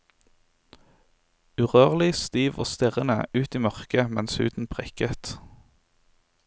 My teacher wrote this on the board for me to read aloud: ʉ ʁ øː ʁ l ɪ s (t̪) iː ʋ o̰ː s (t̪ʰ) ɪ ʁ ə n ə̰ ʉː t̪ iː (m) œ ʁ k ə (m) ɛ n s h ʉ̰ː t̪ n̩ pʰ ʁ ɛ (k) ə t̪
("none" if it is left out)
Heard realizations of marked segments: t̪, t̪, m, m, k

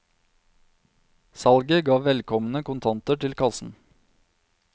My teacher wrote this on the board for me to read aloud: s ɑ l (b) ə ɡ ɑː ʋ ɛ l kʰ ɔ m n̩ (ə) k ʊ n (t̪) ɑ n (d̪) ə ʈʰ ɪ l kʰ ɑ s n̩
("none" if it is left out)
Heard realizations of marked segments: ɡ, ə, t̪ʰ, t̪

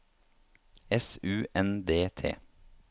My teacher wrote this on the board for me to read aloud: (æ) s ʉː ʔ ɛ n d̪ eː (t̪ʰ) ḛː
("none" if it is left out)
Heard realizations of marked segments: ɛ, t̪ʰ

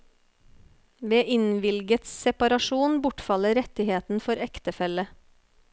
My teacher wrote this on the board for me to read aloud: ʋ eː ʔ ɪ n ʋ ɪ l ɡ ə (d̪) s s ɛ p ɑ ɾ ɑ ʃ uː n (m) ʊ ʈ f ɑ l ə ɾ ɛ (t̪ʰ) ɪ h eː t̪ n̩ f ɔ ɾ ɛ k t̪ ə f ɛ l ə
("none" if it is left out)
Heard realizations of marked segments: t̪, b, t̪

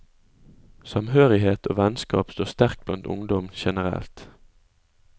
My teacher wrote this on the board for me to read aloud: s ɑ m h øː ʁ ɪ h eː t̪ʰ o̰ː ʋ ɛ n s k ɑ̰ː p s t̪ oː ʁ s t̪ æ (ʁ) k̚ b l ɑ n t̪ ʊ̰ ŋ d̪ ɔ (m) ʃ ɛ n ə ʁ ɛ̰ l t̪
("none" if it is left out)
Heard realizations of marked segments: ʁ, m

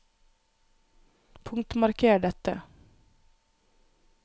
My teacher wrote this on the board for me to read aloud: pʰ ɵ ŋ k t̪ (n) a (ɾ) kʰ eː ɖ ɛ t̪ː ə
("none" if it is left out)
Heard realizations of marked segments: m, ɾ

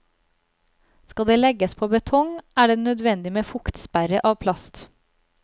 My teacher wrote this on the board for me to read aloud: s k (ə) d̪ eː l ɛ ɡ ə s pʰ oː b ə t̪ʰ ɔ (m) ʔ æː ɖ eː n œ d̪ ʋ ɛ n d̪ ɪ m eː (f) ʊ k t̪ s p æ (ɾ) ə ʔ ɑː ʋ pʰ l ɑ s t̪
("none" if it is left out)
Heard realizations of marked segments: ɑ, ŋ, f, ɾ

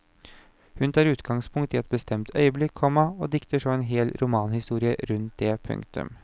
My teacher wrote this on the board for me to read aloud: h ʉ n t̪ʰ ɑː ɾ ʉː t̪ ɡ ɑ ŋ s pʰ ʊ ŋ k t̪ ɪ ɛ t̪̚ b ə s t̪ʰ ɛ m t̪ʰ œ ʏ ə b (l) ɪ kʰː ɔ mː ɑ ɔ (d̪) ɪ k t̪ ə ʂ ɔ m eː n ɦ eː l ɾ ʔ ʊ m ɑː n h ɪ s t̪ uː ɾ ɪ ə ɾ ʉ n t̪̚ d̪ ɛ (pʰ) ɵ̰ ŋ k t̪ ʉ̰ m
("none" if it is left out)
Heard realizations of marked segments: l, d̪, pʰ

